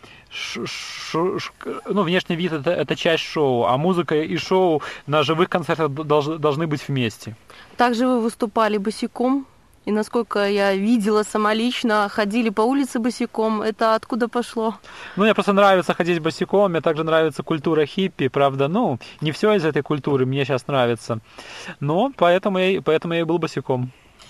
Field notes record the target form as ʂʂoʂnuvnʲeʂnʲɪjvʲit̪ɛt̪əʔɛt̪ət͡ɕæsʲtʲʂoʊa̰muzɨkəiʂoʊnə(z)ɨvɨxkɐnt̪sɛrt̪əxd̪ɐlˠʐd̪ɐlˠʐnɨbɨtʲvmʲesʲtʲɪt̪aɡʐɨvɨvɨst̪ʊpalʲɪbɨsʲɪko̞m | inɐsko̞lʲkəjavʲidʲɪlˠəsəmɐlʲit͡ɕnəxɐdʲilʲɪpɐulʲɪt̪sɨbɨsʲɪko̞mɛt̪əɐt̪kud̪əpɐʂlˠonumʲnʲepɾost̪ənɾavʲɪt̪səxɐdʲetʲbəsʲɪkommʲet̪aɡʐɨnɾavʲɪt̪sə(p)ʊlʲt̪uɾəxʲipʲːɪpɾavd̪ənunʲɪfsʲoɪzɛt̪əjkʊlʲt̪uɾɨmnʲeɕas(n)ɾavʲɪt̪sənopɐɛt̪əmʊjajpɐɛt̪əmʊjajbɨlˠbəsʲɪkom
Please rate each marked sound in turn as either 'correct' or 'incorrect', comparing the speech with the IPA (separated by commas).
incorrect, incorrect, correct